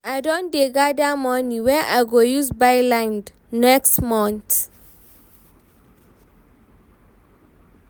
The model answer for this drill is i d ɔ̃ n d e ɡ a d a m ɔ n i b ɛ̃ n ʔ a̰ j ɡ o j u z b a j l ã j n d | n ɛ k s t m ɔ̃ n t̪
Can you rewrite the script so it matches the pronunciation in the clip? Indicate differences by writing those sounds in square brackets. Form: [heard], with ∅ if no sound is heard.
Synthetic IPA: [a] d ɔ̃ n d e ɡ a d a m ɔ n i [w] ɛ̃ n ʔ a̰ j ɡ o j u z b a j l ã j n d | n ɛ k s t m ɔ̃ n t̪

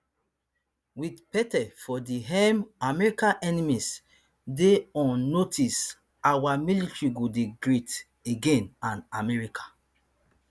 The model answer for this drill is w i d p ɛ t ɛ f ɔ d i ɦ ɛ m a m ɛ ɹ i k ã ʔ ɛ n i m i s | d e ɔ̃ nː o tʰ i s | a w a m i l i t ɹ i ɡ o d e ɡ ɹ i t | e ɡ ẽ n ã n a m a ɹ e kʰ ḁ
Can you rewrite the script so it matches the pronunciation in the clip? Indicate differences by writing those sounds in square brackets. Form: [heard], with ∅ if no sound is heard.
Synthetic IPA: w i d p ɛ t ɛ f ɔ d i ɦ ɛ m a m ɛ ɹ i k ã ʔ ɛ n i m i s | d e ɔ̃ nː o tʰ i s | a w a m i l i t ɹ i ɡ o d e ɡ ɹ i t | e ɡ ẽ n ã n a m [ɛ] ɹ [i] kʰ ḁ

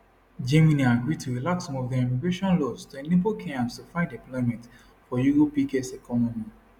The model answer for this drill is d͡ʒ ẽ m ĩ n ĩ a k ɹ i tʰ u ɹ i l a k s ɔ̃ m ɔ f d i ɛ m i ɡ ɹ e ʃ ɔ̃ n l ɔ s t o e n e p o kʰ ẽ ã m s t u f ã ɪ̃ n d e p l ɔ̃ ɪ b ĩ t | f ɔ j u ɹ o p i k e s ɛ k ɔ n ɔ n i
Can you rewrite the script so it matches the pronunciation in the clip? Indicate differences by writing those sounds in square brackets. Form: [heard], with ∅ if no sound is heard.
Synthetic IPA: d͡ʒ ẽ m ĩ n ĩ a [ɡ] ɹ i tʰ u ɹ i l a k s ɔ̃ m ɔ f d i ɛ m i ɡ ɹ e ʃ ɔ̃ n l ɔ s t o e n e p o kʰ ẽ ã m s t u f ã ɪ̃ n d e p l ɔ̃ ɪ [m] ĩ t | f ɔ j u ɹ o p i k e s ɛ k ɔ n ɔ [m] i

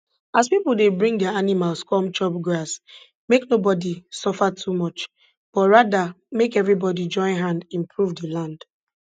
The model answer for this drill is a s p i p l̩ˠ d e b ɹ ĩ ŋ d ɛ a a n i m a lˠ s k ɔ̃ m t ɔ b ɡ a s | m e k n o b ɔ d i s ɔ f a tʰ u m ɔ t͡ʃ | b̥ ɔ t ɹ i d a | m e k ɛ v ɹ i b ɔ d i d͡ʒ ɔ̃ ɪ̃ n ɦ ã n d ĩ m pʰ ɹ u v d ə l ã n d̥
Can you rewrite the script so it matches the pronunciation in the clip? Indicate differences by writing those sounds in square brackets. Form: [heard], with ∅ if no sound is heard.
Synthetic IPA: a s p i p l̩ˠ d e b ɹ ĩ ŋ d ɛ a a n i m a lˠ s k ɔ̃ m [t͡ʃ] ɔ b ɡ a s | m e k n o b ɔ d i s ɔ f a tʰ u m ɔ t͡ʃ | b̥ ɔ t ɹ [a] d a | m e k ɛ v ɹ i b ɔ d i d͡ʒ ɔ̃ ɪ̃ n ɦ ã n d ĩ m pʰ ɹ u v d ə l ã n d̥

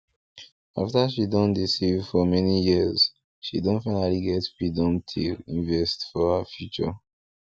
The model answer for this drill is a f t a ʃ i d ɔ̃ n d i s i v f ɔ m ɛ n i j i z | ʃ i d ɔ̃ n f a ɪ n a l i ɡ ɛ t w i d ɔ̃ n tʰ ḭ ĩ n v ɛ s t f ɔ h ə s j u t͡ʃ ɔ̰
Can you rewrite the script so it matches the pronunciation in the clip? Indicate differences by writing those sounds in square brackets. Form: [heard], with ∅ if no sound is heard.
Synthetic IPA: a f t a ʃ i d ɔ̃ n d i s i v f ɔ m ɛ n i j i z | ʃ i d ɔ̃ n f a ɪ n a l i ɡ ɛ t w i d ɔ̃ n tʰ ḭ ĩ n v ɛ s t f ɔ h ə [f] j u t͡ʃ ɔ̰

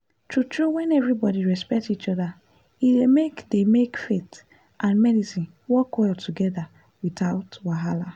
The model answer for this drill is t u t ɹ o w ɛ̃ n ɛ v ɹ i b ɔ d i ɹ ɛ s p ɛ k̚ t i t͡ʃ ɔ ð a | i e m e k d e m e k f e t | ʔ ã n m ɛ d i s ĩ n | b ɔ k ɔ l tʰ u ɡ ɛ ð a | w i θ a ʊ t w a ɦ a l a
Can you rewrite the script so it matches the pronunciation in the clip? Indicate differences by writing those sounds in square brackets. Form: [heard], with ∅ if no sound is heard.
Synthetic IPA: t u t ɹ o w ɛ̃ n ɛ v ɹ i b ɔ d i ɹ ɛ s p ɛ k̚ t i t͡ʃ ɔ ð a | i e m e k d e m e k f e t | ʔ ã n m ɛ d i s ĩ n | [w] ɔ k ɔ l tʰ u ɡ ɛ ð a | w i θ a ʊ t w a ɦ a l a

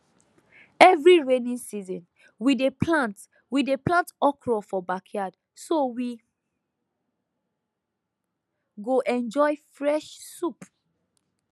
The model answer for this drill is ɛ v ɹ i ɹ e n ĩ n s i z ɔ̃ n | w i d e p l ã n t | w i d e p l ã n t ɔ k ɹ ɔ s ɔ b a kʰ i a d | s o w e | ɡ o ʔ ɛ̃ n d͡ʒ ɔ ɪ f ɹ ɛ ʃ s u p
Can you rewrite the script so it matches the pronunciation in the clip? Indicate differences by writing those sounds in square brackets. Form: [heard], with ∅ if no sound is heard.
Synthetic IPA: ɛ v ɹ i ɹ e n ĩ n s i z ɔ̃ n | w i d e p l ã n t | w i d e p l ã n t ɔ k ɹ ɔ [f] ɔ b a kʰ [j] a d | s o w [i] | ɡ o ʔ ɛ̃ n d͡ʒ ɔ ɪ f ɹ ɛ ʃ s u p

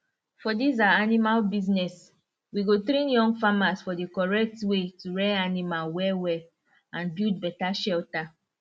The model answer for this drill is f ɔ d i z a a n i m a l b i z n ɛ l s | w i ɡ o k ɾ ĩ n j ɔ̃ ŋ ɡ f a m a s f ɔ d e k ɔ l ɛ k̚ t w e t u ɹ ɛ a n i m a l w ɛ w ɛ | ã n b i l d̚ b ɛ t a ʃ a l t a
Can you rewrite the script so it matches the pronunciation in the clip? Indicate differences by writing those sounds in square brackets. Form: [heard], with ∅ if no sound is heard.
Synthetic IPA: f ɔ d i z a a n i m a l b i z n ɛ [∅] s | w i ɡ o [t] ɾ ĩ n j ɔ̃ ŋ ɡ f a m a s f ɔ d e k ɔ [ɹ] ɛ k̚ t w e t u ɹ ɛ a n i m a l w ɛ w ɛ | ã n b i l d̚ b ɛ t a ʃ [ɛ] l t a

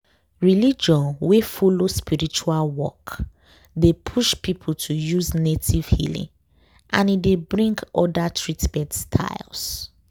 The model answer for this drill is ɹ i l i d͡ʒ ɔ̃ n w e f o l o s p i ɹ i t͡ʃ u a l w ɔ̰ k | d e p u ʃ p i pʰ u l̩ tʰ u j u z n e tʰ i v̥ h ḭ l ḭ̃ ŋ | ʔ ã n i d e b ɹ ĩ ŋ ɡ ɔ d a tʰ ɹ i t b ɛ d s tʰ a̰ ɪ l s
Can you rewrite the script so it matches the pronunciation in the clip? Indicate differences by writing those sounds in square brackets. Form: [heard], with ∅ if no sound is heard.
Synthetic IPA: ɹ i l i d͡ʒ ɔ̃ n w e f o l o s p i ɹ i t͡ʃ u a l w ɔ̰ k | d e [pʰ] u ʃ p i pʰ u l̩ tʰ u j u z n e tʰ i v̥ h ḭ l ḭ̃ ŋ | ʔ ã n i d e b ɹ ĩ ŋ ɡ ɔ d a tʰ ɹ i t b ɛ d s tʰ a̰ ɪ l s

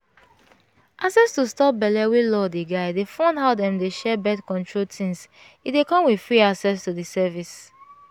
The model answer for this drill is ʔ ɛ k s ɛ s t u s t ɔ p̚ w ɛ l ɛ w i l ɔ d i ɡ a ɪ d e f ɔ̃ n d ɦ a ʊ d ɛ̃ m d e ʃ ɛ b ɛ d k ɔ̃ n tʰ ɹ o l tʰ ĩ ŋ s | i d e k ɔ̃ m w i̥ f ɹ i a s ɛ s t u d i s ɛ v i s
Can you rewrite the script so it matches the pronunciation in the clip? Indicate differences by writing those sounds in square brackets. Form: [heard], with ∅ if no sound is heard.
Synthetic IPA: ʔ [a] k s ɛ s t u s t ɔ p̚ [b] ɛ l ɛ w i l ɔ d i ɡ a ɪ d e f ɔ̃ n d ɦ a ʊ d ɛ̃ m d e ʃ ɛ b ɛ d k ɔ̃ n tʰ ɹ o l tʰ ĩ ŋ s | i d e k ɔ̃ m w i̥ f ɹ i a s ɛ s t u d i s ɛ v i s

